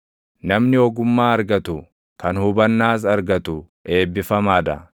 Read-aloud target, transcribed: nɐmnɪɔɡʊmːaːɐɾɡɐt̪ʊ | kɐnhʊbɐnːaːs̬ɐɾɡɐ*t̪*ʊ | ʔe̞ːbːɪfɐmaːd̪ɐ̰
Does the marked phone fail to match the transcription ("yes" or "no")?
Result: no